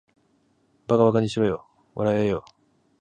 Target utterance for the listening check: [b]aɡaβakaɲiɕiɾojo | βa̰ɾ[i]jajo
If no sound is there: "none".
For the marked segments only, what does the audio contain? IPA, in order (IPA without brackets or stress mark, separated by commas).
b, a